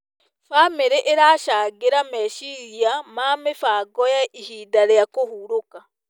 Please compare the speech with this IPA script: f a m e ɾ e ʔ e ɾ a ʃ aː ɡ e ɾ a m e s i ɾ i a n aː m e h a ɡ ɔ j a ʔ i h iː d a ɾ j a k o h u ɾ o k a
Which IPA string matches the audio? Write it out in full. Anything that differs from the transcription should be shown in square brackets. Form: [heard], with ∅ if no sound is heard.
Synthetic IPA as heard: f a m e ɾ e ʔ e ɾ a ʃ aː ɡ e ɾ a m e [ʃ] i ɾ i a [m] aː m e [f] a ɡ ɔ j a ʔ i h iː d a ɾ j a k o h u ɾ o k a

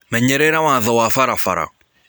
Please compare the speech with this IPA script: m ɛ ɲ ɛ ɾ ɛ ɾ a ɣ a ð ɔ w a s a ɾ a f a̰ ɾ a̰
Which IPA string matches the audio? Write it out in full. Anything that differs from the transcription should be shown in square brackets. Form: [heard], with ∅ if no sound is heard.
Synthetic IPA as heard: m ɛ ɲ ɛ ɾ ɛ ɾ a [w] a ð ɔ w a [f] a ɾ a f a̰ ɾ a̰

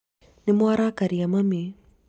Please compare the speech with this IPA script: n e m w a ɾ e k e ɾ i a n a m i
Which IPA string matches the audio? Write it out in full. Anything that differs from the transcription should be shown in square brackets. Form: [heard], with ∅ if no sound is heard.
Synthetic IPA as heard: n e m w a ɾ [a] k [a] ɾ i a [m] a m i

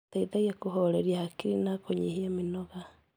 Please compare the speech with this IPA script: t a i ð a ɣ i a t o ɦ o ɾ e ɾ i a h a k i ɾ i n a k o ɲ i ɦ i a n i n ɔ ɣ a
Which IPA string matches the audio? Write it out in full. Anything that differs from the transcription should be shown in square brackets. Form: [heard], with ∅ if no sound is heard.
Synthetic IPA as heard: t a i ð a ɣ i a [k] o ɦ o ɾ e ɾ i a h a k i ɾ i n a k o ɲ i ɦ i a [m] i n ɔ ɣ a

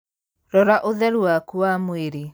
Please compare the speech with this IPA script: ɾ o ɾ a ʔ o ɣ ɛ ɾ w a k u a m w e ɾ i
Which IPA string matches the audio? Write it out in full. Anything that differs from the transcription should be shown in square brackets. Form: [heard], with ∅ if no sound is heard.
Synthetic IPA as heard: ɾ [ɔ] ɾ a ʔ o [ð] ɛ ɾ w a k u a m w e ɾ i

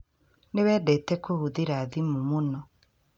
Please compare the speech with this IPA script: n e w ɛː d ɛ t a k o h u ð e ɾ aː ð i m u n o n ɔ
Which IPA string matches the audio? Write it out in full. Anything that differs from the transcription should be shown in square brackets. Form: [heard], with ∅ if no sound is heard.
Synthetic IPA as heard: n e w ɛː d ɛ t [ɛ] k o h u ð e ɾ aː ð i m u [m] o n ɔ

